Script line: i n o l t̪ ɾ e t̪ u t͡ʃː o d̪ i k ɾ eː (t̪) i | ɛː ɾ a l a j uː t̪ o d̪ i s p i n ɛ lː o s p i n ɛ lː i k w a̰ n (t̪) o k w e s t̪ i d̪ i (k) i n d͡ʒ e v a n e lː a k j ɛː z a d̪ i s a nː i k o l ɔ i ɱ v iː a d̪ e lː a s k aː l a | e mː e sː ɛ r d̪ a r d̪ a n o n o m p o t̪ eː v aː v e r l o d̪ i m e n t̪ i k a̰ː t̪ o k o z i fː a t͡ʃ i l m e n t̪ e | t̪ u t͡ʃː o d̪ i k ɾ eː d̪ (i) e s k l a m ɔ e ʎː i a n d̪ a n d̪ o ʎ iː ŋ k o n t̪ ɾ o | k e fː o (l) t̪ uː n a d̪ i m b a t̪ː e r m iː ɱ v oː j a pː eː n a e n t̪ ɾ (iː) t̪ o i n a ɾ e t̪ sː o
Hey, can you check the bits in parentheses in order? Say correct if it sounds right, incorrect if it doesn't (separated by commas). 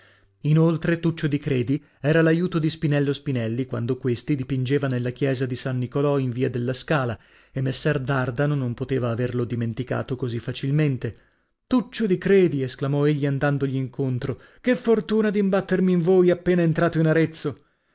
incorrect, incorrect, incorrect, correct, incorrect, incorrect